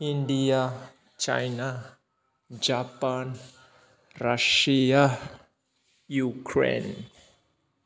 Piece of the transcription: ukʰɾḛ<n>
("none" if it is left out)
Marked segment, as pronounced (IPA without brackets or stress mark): n